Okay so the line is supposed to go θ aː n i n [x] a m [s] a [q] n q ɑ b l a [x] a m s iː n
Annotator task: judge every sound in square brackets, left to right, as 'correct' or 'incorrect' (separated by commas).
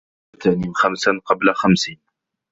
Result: correct, correct, incorrect, correct